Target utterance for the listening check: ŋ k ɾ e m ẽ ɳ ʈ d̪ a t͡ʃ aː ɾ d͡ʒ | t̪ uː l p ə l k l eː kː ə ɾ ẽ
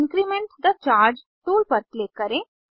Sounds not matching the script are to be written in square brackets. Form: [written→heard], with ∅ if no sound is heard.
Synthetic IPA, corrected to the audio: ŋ k ɾ [e→i] m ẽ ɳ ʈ d̪ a t͡ʃ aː ɾ d͡ʒ | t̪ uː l p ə [l→ɾ] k l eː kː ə ɾ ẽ